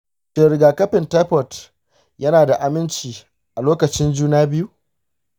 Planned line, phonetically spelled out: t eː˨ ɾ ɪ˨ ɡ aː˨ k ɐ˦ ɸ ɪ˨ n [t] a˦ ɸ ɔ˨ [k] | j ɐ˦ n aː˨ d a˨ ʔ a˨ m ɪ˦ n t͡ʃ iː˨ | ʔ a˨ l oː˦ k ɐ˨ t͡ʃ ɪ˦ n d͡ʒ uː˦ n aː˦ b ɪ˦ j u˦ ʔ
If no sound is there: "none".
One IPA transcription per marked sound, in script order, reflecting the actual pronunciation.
t, t

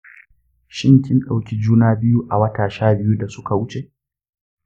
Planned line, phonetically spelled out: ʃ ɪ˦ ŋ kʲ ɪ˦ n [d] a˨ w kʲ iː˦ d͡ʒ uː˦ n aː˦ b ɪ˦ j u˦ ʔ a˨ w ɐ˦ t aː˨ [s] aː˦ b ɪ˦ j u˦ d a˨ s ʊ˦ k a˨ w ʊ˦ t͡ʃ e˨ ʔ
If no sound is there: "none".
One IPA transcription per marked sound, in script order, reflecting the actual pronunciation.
ɗ, ʃ

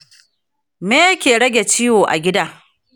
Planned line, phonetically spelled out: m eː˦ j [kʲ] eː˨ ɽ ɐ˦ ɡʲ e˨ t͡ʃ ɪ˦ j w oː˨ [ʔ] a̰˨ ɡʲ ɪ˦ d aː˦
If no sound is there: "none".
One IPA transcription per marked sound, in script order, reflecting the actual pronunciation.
kʲ, ʔ

